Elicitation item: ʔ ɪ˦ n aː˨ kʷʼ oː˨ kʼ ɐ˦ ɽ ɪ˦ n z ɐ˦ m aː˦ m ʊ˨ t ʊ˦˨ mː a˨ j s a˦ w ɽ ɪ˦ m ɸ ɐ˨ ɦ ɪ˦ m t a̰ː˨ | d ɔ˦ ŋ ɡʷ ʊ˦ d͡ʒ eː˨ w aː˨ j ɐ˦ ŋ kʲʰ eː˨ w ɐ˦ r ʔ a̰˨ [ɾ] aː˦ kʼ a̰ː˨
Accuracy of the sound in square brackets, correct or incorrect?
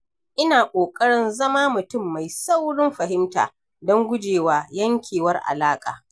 incorrect: l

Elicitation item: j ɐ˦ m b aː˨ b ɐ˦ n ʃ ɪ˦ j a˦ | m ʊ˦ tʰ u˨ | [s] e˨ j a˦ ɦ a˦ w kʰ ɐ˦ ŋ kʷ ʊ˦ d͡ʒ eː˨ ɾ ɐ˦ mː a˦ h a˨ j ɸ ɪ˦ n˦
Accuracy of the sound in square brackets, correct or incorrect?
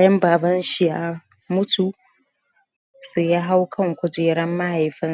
correct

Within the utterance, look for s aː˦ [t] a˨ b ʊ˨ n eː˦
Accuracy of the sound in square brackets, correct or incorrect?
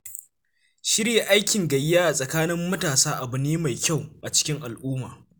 incorrect: ʔ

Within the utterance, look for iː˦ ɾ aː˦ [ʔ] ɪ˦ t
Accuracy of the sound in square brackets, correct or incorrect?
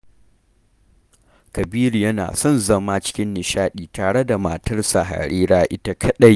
correct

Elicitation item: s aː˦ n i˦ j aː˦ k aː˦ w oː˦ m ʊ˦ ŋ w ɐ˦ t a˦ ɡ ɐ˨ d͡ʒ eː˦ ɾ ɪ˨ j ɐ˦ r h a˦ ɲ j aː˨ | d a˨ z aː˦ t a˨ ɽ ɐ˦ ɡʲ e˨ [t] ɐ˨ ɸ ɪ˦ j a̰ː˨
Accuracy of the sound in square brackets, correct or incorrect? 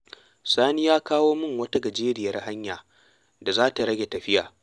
correct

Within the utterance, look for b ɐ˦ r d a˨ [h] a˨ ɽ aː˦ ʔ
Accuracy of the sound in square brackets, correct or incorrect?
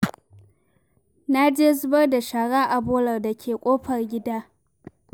incorrect: ʃ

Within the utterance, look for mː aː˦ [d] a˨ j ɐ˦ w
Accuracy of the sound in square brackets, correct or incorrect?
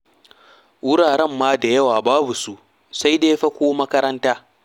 correct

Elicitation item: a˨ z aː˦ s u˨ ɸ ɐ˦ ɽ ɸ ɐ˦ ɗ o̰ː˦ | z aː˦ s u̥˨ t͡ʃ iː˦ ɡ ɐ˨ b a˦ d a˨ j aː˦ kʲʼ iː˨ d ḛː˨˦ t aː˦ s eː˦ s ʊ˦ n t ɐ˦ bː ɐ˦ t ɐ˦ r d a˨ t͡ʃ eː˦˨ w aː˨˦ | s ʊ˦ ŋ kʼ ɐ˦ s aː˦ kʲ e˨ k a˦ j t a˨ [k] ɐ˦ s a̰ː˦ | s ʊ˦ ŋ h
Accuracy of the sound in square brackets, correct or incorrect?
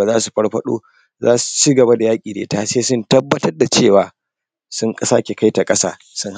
incorrect: kʼ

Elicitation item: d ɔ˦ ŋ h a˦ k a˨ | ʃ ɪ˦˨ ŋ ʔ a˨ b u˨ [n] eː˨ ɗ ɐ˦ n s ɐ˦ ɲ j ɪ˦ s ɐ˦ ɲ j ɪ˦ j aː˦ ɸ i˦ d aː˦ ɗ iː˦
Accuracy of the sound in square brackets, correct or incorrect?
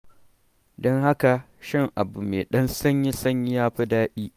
incorrect: m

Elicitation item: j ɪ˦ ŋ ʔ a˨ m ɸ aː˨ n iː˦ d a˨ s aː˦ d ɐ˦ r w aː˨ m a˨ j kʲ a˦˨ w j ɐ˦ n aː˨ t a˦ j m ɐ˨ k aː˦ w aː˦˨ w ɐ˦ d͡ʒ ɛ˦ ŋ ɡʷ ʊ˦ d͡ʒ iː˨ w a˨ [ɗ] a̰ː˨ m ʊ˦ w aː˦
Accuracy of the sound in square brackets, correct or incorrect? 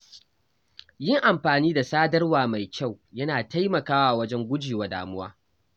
incorrect: d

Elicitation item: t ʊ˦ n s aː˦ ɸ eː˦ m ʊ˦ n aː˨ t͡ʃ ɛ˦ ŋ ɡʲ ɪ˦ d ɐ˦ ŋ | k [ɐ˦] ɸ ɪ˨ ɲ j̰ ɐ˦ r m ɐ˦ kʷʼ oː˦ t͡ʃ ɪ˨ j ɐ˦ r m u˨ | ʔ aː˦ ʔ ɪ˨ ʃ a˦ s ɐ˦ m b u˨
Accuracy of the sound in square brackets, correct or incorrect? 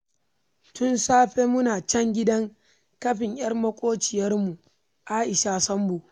correct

